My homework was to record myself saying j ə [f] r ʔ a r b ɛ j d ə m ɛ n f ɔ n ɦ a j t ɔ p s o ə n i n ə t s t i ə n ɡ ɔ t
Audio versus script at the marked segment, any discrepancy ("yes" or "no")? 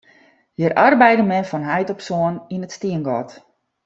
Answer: yes